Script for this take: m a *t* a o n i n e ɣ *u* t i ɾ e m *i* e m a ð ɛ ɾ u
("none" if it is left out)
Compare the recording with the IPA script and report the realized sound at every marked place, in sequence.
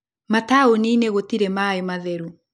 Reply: t, o, a

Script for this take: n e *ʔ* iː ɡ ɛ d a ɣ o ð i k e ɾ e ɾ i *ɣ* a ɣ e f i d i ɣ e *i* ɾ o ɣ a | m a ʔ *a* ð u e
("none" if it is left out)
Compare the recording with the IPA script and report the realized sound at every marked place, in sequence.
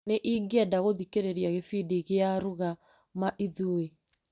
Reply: ʔ, none, a, i

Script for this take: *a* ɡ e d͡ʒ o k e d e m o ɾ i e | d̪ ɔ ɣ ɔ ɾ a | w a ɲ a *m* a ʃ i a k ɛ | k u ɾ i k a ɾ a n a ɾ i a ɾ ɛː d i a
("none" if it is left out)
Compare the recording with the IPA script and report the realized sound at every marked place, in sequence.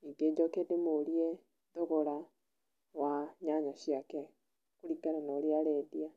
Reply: i, ɲ

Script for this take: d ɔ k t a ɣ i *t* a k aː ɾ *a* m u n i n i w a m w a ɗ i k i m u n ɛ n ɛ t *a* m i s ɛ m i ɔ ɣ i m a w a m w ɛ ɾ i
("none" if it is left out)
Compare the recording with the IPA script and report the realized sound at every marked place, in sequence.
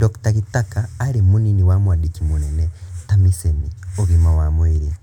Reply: t, i, a

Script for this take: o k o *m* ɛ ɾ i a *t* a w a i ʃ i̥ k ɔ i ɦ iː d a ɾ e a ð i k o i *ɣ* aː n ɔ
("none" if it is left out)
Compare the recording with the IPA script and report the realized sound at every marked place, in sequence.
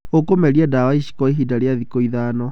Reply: m, d, ð

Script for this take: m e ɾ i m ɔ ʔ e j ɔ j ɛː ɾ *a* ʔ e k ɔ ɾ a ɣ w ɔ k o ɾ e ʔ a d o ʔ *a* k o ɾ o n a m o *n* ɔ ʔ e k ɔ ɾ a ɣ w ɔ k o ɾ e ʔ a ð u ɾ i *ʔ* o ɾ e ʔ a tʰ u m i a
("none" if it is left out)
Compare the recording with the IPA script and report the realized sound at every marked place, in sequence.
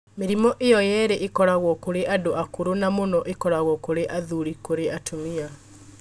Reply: e, a, n, k

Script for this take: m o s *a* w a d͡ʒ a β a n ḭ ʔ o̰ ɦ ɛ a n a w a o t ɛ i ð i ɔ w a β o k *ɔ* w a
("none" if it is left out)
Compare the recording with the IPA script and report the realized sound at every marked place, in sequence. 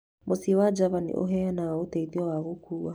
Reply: i, u

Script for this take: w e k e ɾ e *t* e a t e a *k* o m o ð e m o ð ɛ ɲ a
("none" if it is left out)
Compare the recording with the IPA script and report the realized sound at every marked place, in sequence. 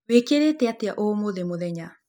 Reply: t, ʔ

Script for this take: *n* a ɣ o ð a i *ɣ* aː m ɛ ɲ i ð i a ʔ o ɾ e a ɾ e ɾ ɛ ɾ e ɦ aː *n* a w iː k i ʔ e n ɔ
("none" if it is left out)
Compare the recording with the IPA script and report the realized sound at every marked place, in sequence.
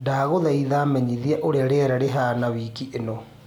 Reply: d, ð, n

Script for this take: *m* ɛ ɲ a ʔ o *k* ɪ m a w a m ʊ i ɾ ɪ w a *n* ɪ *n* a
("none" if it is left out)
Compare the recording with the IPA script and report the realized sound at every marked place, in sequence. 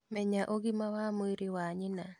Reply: m, ɡ, ɲ, n

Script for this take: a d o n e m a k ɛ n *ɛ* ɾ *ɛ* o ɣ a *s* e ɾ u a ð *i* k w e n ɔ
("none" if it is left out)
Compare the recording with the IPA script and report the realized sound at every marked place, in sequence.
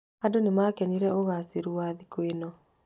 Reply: i, ɛ, s, i

